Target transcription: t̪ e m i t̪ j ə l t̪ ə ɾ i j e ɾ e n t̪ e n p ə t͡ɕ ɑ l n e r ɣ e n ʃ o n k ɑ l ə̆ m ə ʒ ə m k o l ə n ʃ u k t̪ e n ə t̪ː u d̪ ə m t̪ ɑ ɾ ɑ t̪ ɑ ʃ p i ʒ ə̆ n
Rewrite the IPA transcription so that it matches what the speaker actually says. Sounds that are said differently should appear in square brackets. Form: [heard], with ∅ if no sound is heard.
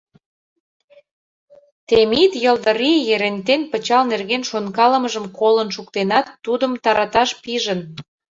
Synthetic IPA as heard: t̪ e m i t̪ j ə l [d̪] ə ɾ i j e ɾ e n t̪ e n p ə t͡ɕ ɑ l n e r ɣ e n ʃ o n k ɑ l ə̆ m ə ʒ ə m k o l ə n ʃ u k t̪ e n [ɑ] t̪ː u d̪ ə m t̪ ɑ ɾ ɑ t̪ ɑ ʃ p i ʒ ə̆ n